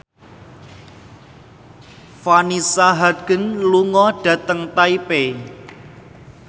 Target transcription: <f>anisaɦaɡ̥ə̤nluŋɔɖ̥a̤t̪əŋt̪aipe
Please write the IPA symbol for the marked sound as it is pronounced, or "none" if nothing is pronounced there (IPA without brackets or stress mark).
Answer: f